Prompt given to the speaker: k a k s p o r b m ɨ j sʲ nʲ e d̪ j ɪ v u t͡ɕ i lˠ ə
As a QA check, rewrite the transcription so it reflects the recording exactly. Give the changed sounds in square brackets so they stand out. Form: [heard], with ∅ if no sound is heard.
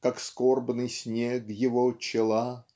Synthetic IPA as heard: k a k s [k] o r b [n] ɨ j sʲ nʲ e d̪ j ɪ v [o] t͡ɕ [ɪ] lˠ [a]